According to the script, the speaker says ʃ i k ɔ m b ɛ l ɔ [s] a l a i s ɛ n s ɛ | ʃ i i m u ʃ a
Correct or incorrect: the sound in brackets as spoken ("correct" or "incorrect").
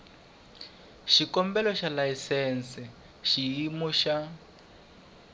incorrect